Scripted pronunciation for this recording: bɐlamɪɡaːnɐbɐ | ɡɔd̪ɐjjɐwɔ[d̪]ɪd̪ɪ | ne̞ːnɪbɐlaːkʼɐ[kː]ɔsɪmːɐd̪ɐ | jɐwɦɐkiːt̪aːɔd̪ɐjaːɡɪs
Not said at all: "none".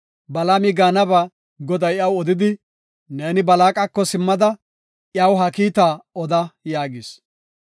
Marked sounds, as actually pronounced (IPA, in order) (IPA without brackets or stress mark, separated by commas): d̪, kː